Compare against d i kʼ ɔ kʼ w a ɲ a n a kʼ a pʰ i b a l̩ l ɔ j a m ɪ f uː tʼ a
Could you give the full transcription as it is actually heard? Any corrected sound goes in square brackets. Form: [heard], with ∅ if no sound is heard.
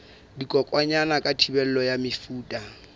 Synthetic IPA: d i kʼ ɔ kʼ w a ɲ a n a kʼ a [tʰ] i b [ɛ] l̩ l ɔ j a m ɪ f uː tʼ a

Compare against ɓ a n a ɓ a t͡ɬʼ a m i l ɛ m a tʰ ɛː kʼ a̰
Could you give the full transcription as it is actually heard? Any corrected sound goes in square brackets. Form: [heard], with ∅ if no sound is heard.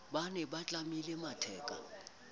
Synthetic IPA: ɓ a n [ɛ] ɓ a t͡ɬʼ a m i l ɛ m a tʰ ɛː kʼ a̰

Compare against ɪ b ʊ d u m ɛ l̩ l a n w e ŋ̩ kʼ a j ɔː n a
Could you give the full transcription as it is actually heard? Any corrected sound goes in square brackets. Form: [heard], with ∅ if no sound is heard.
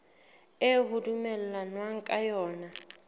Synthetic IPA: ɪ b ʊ d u m ɛ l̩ l a n w [a] ŋ̩ kʼ a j ɔː n a

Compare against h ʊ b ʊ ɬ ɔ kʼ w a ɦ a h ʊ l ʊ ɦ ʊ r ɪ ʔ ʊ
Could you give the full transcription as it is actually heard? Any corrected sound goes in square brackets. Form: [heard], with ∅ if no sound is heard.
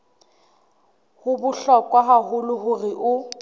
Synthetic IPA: h ʊ b ʊ ɬ ɔ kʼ w a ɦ a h ʊ l ʊ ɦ ʊ r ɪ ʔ ʊ

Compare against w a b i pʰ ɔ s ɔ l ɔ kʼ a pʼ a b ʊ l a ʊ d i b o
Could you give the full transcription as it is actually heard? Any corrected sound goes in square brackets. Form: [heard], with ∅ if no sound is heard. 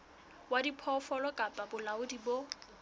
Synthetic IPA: w a [d] i pʰ ɔ [f] ɔ l ɔ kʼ a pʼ a b ʊ l a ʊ d i b o

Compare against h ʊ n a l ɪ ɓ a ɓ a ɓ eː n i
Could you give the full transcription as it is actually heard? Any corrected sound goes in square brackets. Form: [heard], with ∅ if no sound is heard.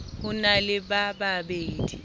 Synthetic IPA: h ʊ n a l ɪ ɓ a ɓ a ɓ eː [d] i

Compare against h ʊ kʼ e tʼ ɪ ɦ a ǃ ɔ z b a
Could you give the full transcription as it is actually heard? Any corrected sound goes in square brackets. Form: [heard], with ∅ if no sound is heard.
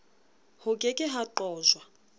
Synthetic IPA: h ʊ kʼ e [kʼ] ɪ ɦ a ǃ [ɔː] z [w] a

